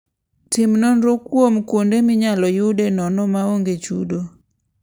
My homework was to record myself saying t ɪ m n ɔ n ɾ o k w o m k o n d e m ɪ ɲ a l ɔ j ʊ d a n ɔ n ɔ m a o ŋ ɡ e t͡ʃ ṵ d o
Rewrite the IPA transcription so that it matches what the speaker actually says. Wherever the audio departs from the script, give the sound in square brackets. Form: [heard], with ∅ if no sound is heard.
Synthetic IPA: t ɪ m n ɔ n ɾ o k w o m k o n d e m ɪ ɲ a l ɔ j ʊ d [e] n ɔ n ɔ m a o ŋ ɡ e t͡ʃ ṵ d o